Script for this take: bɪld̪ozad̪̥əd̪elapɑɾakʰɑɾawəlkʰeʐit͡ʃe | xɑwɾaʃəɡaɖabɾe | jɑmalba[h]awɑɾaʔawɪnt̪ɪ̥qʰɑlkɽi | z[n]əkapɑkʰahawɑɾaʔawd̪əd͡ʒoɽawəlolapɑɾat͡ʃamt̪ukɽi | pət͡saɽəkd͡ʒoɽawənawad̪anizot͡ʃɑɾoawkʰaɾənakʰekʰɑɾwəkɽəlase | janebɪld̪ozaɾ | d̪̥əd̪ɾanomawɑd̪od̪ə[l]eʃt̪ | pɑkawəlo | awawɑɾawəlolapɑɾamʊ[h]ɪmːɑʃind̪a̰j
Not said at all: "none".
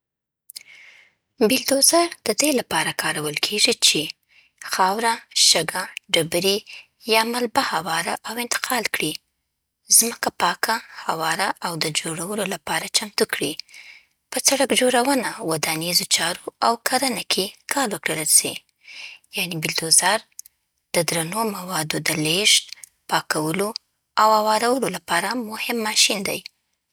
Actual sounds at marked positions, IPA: h, m, l, h

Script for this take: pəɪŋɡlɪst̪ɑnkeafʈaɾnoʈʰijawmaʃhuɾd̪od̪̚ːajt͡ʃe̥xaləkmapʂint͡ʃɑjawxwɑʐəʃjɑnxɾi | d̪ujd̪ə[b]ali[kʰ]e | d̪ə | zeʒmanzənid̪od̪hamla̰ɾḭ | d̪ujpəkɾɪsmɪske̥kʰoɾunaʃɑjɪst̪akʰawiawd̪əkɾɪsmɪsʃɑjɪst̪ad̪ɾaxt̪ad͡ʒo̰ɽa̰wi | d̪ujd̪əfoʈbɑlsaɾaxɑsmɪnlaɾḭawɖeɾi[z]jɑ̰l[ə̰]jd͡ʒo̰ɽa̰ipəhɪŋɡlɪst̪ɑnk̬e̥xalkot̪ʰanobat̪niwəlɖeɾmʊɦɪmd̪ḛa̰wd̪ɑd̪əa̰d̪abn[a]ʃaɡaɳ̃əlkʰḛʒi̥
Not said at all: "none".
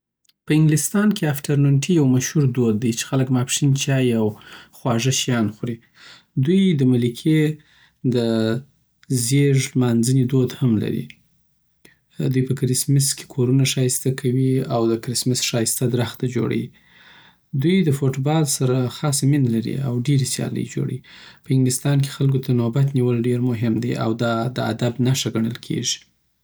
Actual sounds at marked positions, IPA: m, kʰ, s, ə̰, a

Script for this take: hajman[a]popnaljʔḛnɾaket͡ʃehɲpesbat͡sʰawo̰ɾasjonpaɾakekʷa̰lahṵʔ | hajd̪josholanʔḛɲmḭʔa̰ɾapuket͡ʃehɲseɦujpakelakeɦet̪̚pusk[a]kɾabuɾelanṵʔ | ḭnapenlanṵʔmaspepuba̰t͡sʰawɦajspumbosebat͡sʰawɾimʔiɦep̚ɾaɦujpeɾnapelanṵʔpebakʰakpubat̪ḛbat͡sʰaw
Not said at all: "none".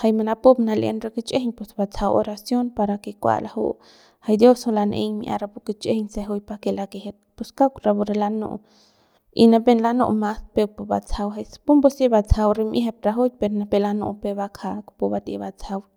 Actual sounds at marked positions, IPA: a, a

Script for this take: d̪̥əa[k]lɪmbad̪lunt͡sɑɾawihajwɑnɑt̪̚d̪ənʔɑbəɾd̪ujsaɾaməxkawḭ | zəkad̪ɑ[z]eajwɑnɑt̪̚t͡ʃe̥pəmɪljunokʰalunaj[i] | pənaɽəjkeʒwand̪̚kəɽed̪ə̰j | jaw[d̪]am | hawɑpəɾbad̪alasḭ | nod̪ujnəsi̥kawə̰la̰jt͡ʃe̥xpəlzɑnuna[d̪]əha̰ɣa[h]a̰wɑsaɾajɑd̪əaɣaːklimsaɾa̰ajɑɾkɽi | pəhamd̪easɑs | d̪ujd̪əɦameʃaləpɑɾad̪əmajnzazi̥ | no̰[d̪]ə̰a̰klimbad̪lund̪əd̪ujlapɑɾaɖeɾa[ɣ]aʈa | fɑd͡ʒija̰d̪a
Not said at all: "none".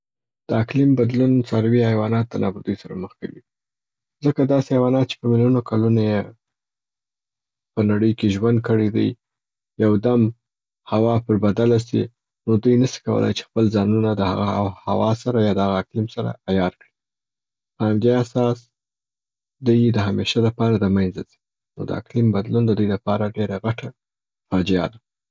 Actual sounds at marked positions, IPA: k, s, e, d̪, d̪, h, d̪, ɣ

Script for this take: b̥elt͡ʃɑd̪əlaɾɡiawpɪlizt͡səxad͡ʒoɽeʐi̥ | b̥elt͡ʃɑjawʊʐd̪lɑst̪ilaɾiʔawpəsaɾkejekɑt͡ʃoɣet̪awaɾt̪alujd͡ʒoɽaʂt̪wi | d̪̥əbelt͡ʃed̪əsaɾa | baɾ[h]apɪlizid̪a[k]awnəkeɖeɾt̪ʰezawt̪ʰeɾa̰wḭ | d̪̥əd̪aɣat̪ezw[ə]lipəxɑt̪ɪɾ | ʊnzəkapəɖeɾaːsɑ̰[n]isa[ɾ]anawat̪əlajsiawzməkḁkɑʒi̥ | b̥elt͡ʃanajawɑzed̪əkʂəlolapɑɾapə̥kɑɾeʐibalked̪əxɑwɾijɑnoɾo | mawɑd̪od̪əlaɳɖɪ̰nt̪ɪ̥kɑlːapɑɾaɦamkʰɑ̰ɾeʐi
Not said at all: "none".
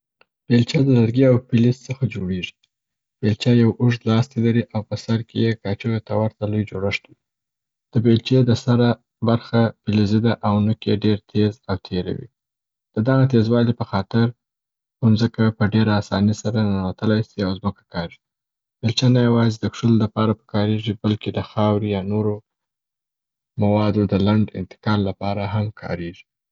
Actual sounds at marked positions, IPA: x, ʔ, ɑ, n, ɾ

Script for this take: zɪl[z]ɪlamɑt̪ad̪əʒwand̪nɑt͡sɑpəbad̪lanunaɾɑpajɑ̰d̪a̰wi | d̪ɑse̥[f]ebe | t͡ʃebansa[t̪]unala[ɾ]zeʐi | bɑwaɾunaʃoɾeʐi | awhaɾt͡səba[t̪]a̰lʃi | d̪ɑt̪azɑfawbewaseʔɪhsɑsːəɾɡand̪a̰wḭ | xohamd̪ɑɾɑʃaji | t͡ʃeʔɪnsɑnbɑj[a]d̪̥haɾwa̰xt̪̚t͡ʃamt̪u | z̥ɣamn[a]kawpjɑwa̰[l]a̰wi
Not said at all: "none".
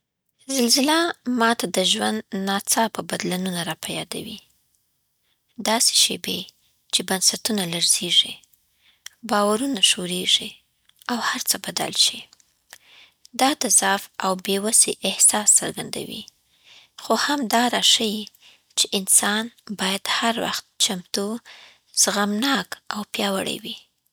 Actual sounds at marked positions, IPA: z, ʃ, t̪, ɾ, d̪, a, ɑ, ɽ

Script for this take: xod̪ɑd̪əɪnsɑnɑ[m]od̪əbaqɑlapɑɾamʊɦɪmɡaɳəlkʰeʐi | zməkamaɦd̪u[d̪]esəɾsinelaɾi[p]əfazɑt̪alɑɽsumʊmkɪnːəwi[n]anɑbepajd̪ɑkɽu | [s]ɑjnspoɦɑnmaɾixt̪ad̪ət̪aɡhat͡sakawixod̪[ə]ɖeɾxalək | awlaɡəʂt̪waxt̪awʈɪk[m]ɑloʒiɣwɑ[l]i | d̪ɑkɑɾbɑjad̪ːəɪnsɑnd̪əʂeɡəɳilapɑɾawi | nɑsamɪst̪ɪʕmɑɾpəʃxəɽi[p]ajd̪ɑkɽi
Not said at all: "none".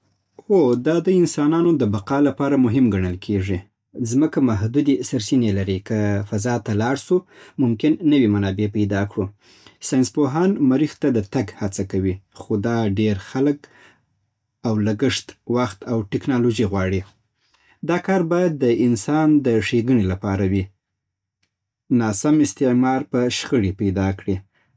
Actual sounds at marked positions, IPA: n, d̪, k, m, s, ɑ, n, ɽ, p

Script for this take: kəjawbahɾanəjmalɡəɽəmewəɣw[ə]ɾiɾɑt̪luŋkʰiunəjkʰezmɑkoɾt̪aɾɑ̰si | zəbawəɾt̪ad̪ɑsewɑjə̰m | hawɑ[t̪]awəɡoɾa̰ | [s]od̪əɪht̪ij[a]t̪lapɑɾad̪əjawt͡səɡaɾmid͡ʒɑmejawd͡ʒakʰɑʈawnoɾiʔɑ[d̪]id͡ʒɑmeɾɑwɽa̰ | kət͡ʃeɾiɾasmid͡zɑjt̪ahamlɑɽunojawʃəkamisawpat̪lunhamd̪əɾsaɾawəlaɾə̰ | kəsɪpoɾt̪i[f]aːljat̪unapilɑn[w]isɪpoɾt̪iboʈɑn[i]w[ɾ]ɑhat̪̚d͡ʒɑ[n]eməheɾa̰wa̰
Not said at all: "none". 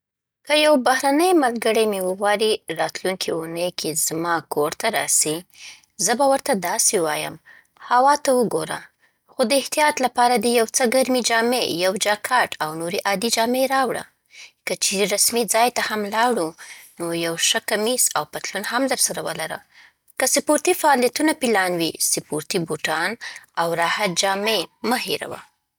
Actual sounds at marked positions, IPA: ɑ, t̪, x, ɑ, d̪, f, w, a, ɾ, m

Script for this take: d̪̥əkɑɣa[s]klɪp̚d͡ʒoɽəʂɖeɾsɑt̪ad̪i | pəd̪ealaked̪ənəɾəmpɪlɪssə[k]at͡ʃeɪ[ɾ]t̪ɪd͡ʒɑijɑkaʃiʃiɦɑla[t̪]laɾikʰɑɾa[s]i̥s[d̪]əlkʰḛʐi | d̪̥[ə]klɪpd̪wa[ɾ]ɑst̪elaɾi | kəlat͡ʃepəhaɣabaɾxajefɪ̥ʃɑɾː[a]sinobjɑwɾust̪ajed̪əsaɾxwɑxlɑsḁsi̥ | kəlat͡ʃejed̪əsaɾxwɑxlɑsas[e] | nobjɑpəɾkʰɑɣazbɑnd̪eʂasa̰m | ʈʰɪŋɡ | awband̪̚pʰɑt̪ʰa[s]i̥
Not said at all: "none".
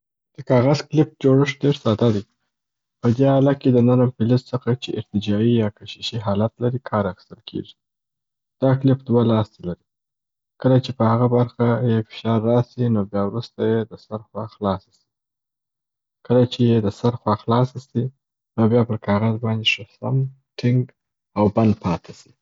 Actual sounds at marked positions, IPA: z, x, ɾ, t̪, x, t̪, ɑ, l, ɑ, i, s

